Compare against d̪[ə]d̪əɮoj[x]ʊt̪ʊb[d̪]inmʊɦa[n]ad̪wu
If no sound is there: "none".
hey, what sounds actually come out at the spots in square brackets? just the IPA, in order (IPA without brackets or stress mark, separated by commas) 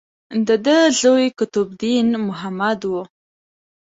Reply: ə, k, d̪, m